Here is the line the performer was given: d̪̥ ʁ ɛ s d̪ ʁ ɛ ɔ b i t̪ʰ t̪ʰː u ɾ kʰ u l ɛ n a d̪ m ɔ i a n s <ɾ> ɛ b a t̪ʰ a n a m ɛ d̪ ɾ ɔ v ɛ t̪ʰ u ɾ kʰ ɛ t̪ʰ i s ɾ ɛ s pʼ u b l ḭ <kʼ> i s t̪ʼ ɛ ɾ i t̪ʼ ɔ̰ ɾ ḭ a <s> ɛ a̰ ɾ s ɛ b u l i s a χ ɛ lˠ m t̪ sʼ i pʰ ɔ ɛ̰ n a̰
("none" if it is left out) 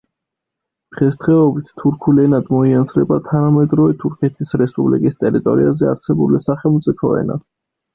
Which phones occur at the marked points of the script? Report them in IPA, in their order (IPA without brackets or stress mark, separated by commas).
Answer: ɾ, kʼ, z